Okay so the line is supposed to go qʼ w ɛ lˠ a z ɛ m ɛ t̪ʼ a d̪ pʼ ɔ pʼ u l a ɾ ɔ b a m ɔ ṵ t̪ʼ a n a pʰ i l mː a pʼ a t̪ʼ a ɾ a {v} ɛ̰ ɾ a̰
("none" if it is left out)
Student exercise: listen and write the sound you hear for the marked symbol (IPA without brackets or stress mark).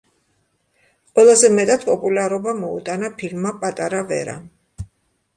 v